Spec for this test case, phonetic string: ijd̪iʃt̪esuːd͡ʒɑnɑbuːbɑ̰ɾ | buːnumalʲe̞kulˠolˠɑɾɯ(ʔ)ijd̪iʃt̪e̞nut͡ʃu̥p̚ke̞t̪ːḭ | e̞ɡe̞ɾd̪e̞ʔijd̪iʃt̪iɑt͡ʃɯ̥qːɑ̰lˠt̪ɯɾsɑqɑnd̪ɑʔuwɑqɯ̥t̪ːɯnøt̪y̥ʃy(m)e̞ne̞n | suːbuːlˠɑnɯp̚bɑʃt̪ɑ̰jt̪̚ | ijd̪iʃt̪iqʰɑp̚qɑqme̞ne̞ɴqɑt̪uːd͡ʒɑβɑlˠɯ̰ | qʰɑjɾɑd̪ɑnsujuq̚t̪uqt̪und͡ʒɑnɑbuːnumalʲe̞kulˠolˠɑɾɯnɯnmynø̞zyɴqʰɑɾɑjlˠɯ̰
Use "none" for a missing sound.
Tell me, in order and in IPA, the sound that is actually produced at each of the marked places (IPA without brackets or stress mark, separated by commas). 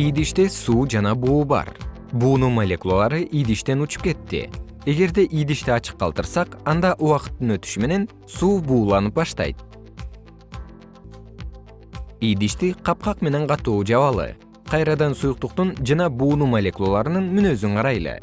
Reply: ʔ, m